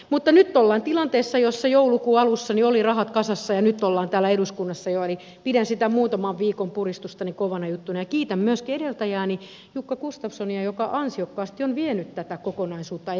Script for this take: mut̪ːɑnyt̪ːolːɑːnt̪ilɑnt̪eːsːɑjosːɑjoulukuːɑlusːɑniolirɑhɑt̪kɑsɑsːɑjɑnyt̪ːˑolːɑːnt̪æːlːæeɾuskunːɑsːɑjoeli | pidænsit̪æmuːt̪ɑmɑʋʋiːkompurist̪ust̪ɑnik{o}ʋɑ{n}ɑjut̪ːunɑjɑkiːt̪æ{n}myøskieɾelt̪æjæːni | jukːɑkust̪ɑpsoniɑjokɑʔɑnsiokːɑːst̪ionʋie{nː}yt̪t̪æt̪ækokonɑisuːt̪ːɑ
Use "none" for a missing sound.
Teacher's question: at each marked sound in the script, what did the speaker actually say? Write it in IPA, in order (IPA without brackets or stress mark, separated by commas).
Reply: o, n, m, n